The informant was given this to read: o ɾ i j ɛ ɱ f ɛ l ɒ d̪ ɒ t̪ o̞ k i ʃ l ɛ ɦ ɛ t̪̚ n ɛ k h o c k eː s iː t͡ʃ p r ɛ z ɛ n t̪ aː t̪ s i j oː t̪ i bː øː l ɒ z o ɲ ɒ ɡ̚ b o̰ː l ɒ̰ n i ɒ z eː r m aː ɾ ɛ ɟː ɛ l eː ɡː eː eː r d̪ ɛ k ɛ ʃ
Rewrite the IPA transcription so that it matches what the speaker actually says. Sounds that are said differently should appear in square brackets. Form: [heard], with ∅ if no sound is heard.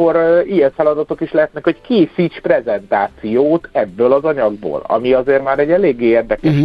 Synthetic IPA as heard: o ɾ i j ɛ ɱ f ɛ l ɒ d̪ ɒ t̪ o̞ k i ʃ l ɛ ɦ ɛ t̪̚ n ɛ k h o c k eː s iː t͡ʃ p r ɛ z ɛ n t̪ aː t̪ s i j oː t̪ [ɛ] bː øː l ɒ z [ɒ] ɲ ɒ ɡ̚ b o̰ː l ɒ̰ [m] i ɒ z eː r m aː ɾ ɛ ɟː ɛ l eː ɡː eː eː r d̪ ɛ k ɛ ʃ